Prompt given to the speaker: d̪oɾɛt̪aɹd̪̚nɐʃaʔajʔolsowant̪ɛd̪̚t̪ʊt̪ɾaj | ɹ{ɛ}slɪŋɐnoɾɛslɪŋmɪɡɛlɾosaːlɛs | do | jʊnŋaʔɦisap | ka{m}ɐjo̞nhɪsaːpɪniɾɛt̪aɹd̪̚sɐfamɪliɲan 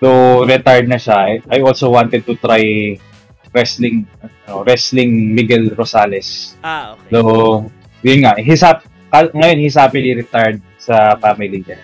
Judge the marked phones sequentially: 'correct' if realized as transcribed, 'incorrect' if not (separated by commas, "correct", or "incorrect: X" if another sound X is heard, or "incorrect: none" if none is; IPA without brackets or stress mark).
correct, incorrect: ŋ